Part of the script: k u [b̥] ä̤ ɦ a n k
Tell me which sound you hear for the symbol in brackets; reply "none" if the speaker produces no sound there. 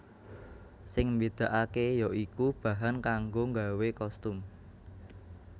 b̥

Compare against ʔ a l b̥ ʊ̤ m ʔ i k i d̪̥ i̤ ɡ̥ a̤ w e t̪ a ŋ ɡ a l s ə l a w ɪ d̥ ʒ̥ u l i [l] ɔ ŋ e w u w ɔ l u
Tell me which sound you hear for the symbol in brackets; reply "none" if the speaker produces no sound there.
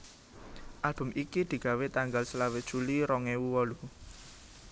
ɾ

